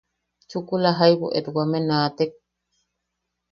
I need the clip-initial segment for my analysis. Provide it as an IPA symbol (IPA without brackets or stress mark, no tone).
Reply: t͡ʃ